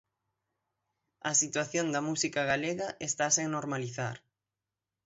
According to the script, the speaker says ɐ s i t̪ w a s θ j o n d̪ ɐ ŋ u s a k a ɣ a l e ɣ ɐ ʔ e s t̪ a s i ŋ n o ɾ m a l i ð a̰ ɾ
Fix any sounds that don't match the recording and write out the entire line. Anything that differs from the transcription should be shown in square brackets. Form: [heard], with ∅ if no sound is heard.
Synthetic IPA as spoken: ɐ s i t̪ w a [∅] θ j o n d̪ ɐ [m] u s [i] k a ɣ a l e ɣ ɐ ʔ e s t̪ a s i ŋ n o ɾ m a l i [θ] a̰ ɾ